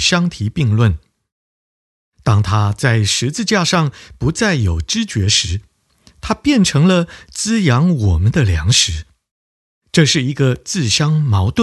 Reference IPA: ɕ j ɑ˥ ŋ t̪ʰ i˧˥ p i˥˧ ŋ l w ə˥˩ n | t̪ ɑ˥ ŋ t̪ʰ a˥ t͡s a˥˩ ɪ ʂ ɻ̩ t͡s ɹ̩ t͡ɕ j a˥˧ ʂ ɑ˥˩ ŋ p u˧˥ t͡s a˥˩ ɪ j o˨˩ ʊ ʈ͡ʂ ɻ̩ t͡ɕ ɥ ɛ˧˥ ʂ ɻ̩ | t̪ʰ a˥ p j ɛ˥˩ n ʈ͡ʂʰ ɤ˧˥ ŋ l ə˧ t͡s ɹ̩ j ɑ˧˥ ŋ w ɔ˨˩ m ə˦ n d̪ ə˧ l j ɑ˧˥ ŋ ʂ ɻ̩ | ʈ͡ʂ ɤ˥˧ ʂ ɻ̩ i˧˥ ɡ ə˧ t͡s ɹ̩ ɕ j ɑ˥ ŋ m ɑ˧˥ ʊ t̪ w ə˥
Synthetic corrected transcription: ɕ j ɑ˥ ŋ t̪ʰ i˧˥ p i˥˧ ŋ l w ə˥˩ n | t̪ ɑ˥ ŋ t̪ʰ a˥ t͡s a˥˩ ɪ ʂ ɻ̩ t͡s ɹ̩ t͡ɕ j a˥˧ ʂ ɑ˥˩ ŋ p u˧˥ t͡s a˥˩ ɪ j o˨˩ ʊ ʈ͡ʂ ɻ̩ t͡ɕ ɥ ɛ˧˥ ʂ ɻ̩ | t̪ʰ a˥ p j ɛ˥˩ n ʈ͡ʂʰ ɤ˧˥ ŋ l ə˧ t͡s ɹ̩ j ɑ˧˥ ŋ w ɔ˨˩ m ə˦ n d̪ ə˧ l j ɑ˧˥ ŋ ʂ ɻ̩ | ʈ͡ʂ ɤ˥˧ ʂ ɻ̩ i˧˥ ɡ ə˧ t͡s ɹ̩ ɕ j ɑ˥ ŋ m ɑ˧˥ ʊ t̪ w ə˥